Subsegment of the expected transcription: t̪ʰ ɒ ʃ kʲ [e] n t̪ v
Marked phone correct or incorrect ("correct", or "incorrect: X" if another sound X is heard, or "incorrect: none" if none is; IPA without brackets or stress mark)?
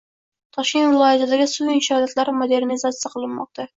correct